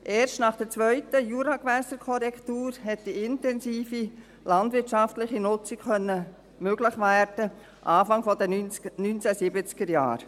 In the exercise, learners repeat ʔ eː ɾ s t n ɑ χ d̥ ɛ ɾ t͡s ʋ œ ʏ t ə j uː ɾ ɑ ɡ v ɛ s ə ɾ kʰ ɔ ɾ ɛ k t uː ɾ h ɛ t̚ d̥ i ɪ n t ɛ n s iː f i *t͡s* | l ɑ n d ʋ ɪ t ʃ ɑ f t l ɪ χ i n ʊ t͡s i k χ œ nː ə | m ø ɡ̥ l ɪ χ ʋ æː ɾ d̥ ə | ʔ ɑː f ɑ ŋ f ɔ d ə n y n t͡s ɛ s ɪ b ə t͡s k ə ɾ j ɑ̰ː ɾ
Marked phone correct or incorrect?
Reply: incorrect